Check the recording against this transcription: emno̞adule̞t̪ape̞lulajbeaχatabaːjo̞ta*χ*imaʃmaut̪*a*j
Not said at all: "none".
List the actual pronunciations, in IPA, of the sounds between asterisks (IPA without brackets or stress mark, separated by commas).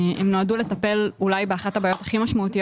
χ, i